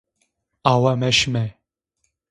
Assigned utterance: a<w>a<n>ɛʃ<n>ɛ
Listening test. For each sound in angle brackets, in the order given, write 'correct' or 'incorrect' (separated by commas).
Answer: correct, incorrect, incorrect